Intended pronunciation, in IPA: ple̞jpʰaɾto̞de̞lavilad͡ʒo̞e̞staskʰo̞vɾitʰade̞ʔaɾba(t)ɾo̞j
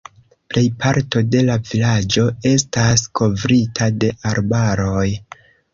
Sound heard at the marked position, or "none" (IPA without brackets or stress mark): none